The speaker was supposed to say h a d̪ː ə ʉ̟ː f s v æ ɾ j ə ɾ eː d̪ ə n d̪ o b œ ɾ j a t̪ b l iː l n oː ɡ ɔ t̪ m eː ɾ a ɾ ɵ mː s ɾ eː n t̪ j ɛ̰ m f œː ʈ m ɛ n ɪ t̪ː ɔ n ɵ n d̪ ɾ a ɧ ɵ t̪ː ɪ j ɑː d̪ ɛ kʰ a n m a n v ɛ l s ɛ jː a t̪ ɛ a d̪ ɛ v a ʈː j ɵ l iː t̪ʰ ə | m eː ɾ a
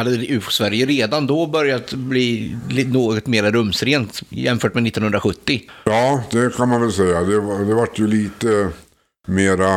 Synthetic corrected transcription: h a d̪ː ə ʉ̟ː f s v æ ɾ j ə ɾ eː d̪ a n d̪ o b œ ɾ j a t̪ b l iː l n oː ɡ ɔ t̪ m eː ɾ a ɾ ɵ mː s ɾ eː n t̪ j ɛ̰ m f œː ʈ m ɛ n ɪ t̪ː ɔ n ɵ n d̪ ɾ a ɧ ɵ t̪ː ɪ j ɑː d̪ ɛ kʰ a n m a n v ɛ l s ɛ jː a d̪ ɛ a d̪ ɛ v a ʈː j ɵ l iː t̪ ə | m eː ɾ a